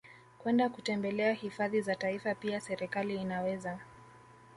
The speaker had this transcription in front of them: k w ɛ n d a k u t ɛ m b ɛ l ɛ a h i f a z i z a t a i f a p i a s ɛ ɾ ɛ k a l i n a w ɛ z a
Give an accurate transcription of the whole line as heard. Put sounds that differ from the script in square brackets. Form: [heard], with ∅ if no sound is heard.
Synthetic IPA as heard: k w ɛ n d a k u t ɛ m b ɛ l ɛ a h i f a [ð] i z a t a i f a p i a s ɛ ɾ ɛ k a l [iː] n a w ɛ z a